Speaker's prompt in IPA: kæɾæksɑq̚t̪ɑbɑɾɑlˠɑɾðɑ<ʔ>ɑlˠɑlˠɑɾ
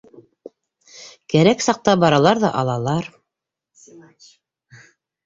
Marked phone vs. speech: correct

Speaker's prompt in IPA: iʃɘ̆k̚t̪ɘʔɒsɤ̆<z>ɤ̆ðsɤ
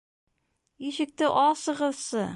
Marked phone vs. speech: incorrect: ʁ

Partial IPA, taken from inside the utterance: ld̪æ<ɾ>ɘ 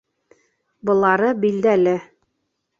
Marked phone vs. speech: incorrect: l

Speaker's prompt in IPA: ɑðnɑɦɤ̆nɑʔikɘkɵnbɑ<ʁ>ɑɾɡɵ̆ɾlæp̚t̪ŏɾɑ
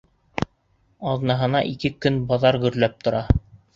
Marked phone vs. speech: incorrect: ð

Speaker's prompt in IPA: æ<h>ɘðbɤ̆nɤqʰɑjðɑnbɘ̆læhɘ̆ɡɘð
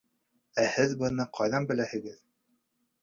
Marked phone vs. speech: correct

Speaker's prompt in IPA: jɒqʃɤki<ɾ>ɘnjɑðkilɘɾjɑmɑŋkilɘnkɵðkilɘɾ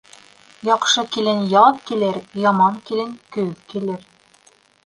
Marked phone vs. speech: incorrect: l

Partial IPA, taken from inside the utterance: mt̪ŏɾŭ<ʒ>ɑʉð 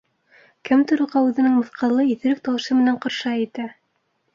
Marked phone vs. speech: incorrect: ʁ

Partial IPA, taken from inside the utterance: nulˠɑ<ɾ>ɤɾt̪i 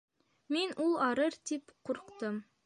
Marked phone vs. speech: correct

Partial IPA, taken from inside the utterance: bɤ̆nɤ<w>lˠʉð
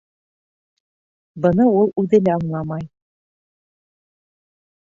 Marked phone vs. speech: incorrect: u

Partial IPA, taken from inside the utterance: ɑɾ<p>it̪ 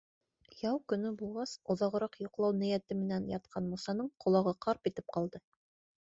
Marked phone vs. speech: correct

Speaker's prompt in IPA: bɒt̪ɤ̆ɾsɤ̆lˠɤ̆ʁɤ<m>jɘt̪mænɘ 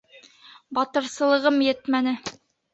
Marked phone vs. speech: correct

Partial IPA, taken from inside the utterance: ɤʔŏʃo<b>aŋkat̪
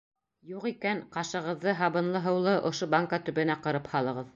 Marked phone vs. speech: correct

